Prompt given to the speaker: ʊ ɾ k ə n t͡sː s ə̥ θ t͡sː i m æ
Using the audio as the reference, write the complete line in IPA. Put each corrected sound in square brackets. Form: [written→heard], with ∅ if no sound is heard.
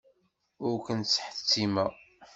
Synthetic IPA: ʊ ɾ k ə n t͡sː [s→ħ] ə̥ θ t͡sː i m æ